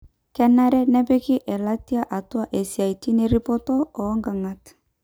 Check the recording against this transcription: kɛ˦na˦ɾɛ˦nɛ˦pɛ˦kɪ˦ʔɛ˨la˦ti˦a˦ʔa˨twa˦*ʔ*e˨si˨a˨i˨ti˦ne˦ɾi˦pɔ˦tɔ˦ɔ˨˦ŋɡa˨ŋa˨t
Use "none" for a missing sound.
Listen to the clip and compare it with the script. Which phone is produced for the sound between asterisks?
ʔ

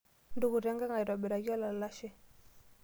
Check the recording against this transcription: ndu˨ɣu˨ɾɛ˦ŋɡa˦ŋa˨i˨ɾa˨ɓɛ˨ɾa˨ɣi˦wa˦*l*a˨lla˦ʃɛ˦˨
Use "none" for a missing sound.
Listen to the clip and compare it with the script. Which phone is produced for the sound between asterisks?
l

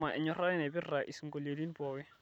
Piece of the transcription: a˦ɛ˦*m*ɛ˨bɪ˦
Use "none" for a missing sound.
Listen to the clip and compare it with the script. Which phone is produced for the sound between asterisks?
n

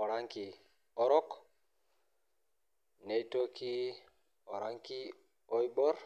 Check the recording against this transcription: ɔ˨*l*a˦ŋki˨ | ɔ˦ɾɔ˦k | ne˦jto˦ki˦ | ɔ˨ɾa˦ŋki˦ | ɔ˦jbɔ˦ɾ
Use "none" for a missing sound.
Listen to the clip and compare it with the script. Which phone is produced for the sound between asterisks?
ɾ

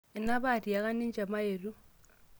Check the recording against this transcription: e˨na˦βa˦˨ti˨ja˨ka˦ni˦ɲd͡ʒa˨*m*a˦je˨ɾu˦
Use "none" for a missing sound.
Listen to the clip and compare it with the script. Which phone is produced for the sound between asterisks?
m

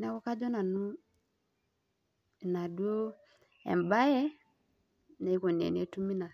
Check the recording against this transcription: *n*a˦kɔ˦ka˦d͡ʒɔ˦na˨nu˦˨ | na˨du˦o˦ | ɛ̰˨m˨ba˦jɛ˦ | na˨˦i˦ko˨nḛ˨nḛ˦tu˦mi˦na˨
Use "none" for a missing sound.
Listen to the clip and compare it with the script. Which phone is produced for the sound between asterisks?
n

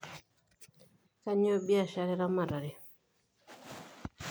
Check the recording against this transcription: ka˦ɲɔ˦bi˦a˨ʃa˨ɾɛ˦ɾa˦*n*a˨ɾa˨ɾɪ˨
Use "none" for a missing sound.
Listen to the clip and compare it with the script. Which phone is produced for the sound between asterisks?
m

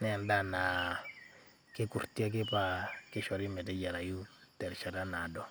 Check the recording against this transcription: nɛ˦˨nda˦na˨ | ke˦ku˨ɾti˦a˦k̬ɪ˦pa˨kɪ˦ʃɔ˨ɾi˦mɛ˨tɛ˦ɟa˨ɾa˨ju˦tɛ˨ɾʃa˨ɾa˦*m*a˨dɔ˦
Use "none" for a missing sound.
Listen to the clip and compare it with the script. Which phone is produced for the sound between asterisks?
n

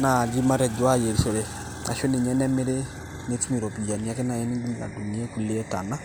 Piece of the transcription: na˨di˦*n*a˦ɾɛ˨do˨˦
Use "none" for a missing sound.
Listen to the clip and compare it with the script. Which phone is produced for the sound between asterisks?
m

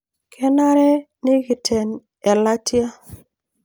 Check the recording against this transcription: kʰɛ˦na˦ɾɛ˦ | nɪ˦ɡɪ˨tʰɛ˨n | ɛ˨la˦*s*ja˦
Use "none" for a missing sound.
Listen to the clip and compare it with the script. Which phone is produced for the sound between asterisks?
t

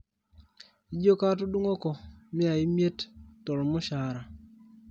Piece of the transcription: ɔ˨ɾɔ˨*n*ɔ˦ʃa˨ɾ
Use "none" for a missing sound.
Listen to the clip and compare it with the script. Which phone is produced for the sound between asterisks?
m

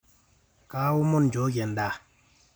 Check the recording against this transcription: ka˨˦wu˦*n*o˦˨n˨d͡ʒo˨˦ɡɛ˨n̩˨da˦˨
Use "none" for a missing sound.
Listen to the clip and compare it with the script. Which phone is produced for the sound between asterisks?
m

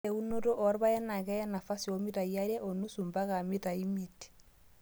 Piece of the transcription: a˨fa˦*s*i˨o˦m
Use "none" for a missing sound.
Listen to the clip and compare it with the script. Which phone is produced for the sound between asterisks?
s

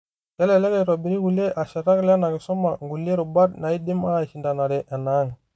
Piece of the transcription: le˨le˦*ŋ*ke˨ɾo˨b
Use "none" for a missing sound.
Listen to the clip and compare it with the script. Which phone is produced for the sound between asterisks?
none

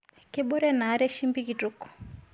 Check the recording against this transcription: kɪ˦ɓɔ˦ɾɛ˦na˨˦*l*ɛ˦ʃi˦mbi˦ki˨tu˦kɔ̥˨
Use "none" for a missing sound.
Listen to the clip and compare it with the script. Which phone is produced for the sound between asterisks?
ɾ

